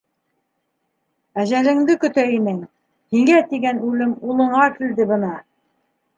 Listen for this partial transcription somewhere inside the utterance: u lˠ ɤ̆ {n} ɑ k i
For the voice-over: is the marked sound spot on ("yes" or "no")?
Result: no